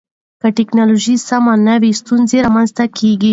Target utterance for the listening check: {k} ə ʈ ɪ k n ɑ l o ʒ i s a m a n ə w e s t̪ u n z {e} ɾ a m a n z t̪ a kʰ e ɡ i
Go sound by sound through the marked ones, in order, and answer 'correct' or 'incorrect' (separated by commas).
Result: correct, correct